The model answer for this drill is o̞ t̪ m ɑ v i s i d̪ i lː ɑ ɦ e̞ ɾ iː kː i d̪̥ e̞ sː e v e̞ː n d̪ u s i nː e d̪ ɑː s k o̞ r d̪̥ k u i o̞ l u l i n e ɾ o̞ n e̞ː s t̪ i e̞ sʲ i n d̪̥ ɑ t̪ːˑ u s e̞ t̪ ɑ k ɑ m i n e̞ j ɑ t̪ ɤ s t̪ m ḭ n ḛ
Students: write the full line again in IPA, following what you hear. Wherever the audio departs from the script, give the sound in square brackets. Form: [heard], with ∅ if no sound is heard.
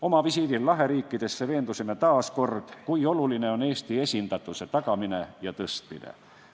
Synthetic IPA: o̞ [∅] m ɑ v i s i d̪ i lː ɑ ɦ e̞ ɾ iː kː i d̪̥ e̞ sː e v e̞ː n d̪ u s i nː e [t̪] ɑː s k o̞ r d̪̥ k u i o̞ l u l i n e [∅] o̞ n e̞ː s t̪ i e̞ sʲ i n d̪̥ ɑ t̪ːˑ u s e̞ t̪ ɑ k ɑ m i n e̞ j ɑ t̪ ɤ s t̪ m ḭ n ḛ